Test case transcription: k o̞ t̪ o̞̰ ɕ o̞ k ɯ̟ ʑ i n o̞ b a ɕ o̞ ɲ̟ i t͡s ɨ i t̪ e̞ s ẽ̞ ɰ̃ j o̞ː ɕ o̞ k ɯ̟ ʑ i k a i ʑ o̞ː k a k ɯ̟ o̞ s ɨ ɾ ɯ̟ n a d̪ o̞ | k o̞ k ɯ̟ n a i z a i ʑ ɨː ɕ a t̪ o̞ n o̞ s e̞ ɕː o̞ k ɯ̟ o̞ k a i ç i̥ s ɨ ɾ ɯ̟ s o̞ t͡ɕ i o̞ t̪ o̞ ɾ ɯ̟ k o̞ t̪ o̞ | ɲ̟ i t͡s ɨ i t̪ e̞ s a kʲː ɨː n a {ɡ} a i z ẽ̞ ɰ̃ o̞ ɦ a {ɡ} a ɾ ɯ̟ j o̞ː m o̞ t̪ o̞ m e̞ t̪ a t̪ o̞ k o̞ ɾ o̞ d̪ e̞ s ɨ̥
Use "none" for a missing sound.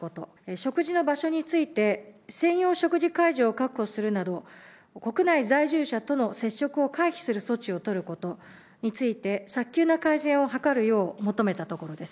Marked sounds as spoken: k, k

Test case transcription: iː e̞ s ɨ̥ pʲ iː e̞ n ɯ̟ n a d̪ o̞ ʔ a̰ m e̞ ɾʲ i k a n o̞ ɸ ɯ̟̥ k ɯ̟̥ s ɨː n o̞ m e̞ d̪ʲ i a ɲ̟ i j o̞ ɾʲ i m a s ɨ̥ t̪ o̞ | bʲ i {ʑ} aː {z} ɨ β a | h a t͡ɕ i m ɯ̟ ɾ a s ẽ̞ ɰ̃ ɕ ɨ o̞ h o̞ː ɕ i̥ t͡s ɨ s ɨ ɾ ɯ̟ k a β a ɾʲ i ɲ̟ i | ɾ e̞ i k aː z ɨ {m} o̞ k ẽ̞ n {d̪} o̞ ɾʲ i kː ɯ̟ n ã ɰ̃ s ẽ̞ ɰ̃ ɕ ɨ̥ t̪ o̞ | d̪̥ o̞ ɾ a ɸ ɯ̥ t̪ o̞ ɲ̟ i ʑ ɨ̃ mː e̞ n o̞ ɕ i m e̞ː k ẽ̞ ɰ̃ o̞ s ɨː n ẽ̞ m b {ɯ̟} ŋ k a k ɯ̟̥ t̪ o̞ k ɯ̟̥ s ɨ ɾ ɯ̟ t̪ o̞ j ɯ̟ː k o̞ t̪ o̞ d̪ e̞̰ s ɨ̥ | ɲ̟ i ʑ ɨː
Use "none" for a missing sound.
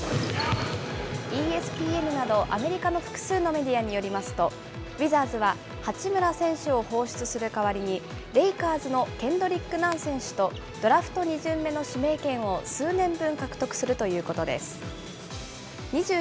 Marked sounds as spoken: z, z, n, d̪, ɯ̟̃

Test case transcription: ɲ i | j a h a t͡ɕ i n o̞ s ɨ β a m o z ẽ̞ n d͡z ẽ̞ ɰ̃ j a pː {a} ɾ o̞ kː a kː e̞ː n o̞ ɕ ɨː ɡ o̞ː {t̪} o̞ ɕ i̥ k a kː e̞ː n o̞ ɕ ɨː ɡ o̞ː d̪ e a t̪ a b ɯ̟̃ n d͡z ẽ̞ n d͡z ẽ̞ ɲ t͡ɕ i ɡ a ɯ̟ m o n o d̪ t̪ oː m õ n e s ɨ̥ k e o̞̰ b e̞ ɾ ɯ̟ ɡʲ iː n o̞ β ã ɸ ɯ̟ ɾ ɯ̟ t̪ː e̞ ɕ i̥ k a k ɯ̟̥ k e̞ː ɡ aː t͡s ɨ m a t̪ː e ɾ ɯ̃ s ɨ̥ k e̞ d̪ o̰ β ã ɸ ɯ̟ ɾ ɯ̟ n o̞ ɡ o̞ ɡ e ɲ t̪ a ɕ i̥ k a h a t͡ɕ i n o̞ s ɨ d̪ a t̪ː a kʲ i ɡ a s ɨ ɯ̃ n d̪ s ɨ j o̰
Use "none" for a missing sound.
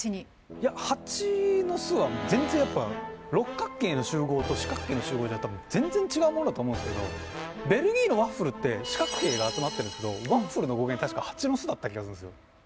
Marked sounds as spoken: a, t̪

